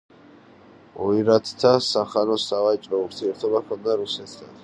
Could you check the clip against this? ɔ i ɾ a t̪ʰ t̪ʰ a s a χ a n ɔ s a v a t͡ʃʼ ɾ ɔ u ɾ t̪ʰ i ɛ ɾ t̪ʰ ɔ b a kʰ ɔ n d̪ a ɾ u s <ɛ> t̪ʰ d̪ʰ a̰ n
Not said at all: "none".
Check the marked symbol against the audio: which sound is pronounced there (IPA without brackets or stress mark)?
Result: ɛ